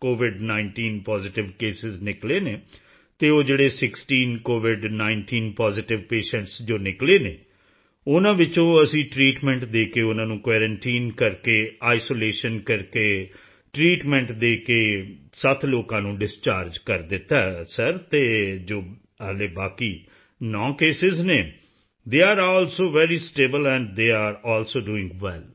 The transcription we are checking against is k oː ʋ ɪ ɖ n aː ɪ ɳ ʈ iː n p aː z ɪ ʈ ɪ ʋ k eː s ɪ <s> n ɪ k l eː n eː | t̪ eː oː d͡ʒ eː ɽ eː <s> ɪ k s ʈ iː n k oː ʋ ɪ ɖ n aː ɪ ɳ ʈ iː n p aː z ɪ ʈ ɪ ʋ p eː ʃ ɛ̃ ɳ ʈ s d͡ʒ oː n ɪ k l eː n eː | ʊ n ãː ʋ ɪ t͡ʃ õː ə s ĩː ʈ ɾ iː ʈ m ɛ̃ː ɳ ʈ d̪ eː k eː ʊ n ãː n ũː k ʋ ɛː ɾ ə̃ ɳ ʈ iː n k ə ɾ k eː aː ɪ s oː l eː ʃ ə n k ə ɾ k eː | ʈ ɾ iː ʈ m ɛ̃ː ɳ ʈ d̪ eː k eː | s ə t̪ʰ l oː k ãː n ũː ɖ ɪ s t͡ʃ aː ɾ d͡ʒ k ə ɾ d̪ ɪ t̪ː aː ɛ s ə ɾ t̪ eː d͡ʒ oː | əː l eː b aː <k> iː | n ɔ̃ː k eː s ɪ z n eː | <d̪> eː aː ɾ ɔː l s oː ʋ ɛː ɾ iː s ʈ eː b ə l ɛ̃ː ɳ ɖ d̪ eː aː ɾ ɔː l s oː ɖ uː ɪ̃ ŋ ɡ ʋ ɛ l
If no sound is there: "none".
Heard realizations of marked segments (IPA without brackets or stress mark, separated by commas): z, s, k, d̪